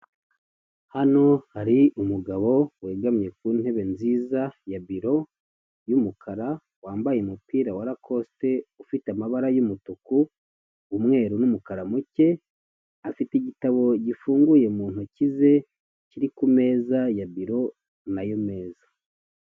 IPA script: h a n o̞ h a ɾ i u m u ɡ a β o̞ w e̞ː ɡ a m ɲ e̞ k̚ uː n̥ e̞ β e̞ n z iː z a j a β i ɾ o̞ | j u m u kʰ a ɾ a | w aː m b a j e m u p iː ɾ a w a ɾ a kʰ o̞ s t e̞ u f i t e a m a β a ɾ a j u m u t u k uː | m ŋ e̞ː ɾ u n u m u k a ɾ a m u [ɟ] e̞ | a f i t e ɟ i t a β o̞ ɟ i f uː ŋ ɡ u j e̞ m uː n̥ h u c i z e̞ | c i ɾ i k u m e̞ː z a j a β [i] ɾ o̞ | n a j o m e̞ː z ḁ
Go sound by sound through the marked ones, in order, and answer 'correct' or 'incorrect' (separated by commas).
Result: incorrect, correct